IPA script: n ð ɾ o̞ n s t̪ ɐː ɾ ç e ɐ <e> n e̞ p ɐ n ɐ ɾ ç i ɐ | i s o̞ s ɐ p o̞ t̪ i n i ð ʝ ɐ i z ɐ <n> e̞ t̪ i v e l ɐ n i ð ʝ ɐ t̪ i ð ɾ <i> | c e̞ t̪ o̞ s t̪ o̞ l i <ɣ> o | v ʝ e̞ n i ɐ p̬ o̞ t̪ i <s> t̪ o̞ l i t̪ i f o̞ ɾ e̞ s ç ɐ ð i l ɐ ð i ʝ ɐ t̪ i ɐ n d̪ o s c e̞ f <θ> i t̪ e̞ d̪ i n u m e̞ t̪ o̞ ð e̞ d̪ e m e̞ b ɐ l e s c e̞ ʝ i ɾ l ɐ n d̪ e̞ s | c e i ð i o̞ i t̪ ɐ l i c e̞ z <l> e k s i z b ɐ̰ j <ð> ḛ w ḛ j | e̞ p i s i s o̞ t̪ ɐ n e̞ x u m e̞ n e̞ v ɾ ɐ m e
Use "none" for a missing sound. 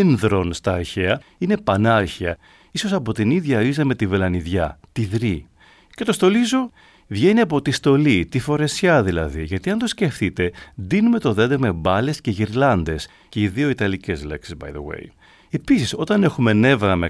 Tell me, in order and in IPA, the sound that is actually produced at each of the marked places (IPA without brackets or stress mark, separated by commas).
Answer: i, m, i, z, s, θ, l, ð